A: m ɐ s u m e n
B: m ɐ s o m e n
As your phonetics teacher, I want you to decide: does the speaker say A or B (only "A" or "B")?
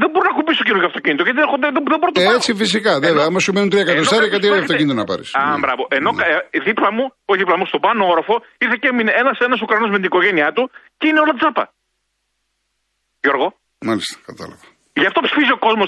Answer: A